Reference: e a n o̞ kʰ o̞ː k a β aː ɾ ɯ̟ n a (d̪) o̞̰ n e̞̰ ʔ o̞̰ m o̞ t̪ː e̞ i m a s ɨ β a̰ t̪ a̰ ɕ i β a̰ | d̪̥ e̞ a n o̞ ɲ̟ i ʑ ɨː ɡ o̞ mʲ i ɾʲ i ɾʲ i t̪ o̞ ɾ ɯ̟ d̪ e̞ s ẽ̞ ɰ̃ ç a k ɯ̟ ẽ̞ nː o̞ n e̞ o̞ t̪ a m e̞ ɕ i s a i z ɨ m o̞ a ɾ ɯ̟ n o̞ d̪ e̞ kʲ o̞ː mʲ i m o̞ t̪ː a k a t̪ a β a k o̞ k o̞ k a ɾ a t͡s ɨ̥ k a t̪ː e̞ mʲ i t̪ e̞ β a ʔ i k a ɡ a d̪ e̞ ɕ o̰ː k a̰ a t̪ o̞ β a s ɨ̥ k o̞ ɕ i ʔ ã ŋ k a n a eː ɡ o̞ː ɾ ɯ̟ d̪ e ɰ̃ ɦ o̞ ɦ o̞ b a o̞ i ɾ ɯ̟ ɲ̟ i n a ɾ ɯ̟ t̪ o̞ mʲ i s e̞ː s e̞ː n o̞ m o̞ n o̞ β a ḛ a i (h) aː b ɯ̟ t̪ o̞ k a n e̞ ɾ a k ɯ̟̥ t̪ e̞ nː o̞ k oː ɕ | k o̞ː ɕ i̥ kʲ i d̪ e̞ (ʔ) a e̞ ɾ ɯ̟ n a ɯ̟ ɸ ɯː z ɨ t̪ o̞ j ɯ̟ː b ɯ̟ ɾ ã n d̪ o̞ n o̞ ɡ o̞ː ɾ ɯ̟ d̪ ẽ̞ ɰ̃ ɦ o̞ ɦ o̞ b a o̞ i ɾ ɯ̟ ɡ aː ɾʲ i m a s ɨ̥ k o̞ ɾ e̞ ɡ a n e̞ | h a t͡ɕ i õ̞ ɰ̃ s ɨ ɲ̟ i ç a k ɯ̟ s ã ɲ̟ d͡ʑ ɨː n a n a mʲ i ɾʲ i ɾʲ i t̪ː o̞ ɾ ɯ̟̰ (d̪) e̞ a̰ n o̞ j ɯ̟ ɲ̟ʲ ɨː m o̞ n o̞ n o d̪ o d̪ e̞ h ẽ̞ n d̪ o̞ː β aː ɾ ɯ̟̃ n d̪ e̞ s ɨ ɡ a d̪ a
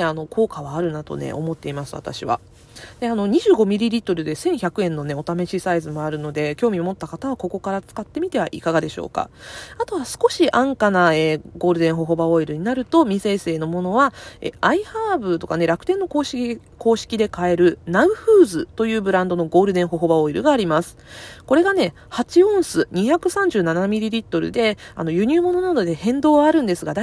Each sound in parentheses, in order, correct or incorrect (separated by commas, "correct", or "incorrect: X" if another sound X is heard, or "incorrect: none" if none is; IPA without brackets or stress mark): incorrect: t̪, correct, incorrect: k, correct